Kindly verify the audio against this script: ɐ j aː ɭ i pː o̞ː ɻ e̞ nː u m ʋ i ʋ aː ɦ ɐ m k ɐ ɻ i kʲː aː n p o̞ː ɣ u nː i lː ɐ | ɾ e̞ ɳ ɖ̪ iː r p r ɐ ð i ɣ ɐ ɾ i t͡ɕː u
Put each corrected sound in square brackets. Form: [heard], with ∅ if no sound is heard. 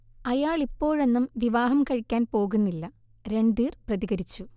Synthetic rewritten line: ɐ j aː ɭ i pː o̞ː ɻ e̞ nː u m ʋ i ʋ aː ɦ ɐ m k ɐ ɻ i kʲː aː n p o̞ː ɣ u nː i lː ɐ | ɾ e̞ ɳ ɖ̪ iː r p r ɐ ð i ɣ ɐ ɾ i t͡ɕː u